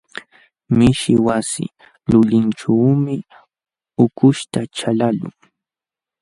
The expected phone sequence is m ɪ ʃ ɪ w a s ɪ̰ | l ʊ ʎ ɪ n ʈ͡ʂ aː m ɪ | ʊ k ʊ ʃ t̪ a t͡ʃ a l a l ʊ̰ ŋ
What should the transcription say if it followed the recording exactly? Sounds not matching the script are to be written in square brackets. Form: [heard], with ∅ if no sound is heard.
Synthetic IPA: m ɪ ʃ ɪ w a s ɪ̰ | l ʊ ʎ ɪ n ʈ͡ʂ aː m ɪ | ʊ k ʊ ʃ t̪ a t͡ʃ a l a l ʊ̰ ŋ